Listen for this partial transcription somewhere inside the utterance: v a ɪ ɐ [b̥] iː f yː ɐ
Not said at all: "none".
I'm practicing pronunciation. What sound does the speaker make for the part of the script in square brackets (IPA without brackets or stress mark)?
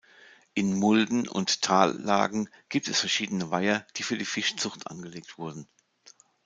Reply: d̥